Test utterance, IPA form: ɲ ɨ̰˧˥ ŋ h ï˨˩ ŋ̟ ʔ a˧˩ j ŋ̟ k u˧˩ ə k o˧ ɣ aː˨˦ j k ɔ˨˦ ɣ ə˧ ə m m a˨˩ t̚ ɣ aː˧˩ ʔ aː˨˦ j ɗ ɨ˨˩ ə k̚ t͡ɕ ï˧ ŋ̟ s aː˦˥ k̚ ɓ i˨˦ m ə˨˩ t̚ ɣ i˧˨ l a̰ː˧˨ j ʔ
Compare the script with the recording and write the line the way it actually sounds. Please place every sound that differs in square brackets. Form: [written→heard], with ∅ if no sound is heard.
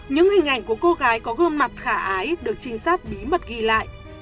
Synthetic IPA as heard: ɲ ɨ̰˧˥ ŋ h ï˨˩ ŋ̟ ʔ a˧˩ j ŋ̟ k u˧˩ ə k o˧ ɣ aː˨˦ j k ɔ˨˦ ɣ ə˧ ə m m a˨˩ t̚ [ɣ→x] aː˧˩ ʔ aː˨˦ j ɗ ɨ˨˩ ə k̚ t͡ɕ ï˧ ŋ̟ s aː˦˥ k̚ ɓ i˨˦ m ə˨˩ t̚ ɣ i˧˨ l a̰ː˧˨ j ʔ